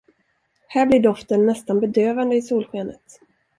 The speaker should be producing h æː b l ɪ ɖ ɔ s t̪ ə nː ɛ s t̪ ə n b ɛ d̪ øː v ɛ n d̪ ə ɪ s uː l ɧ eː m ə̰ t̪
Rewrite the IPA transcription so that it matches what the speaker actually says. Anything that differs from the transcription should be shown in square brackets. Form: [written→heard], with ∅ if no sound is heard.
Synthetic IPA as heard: h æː b l ɪ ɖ ɔ [s→f] t̪ ə nː ɛ s t̪ [ə→a] n b ɛ d̪ øː v [ɛ→a] n d̪ ə ɪ s uː l ɧ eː [m→n] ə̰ t̪